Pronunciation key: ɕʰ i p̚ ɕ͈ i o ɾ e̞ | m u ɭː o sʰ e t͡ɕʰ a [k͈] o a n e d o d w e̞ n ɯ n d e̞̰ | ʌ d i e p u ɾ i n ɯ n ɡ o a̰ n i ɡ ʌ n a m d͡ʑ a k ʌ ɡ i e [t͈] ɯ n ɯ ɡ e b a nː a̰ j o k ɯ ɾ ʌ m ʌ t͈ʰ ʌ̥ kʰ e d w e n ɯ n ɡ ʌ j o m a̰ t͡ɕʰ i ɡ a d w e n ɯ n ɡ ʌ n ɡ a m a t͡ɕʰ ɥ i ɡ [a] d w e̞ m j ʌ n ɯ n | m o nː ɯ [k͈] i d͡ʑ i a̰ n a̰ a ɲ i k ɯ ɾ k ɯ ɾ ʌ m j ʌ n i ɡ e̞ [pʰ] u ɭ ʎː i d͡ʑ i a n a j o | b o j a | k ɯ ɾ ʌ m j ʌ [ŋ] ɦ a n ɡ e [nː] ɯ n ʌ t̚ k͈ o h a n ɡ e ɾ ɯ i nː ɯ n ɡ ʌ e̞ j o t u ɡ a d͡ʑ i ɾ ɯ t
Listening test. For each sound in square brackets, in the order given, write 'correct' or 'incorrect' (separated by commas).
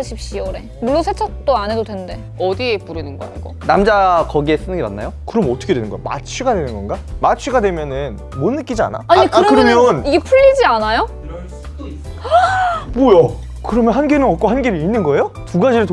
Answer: incorrect, incorrect, correct, correct, correct, incorrect, incorrect